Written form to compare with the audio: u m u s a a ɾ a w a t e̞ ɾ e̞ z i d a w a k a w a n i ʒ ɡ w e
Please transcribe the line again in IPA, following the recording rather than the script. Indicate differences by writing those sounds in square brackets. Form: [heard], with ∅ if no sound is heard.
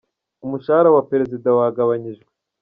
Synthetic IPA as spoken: u m u [ʃ] a a ɾ a w a [p] e̞ ɾ e̞ z i d a w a [ɡ] a [β] a [ɲ] i ʒ ɡ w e